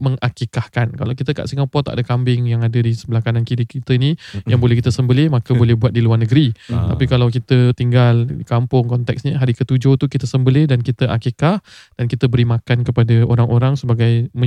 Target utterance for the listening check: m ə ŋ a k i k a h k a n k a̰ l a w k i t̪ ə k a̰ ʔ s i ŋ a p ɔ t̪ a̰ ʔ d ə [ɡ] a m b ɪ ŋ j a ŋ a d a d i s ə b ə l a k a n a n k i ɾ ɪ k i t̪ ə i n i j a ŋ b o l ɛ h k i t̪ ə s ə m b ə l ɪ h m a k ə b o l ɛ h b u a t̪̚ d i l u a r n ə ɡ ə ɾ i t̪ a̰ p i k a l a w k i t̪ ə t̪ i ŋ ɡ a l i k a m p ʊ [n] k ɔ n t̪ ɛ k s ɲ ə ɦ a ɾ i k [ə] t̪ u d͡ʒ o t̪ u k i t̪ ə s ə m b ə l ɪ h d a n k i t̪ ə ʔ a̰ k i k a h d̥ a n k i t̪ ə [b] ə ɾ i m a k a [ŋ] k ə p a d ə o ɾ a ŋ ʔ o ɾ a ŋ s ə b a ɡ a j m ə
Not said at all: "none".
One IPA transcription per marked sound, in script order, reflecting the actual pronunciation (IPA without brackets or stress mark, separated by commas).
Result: k, ŋ, ə, b, n